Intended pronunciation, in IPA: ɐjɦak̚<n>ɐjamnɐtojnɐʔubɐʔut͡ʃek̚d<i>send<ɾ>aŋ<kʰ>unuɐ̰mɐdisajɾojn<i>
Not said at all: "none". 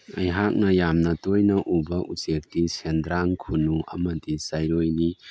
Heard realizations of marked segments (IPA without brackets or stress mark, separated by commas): n, i, ɾ, kʰ, i